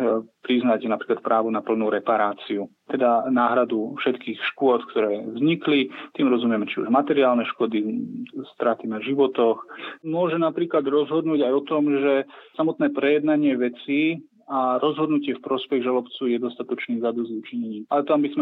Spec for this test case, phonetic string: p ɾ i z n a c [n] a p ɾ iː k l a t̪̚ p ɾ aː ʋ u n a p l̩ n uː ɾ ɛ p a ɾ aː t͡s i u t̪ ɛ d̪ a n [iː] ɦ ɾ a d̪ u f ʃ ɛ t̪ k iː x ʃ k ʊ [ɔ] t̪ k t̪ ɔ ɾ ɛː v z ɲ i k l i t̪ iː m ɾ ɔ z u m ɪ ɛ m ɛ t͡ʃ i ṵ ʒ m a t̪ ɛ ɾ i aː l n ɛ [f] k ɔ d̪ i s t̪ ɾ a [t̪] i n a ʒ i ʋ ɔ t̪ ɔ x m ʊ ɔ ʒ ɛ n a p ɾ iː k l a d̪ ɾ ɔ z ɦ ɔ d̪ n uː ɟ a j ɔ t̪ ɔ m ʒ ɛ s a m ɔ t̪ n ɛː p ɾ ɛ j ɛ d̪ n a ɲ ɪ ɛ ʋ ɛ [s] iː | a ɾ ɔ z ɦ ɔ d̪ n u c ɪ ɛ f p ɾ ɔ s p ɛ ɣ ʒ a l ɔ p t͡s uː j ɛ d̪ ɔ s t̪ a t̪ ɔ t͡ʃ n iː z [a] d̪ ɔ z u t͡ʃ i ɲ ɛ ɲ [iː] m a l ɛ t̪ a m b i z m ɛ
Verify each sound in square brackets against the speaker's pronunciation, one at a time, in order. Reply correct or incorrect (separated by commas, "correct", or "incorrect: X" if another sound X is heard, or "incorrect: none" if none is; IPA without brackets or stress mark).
correct, incorrect: aː, correct, incorrect: ʃ, correct, incorrect: t͡s, correct, correct